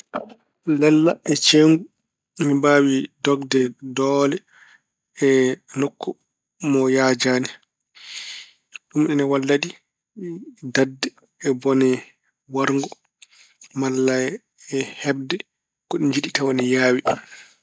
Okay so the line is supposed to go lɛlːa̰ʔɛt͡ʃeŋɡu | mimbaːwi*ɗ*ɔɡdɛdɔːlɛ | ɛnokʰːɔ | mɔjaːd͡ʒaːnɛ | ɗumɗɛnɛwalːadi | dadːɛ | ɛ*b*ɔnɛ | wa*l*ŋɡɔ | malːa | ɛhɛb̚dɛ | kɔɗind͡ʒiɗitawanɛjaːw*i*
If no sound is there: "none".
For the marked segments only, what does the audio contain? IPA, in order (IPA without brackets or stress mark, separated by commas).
d, b, ɾ, i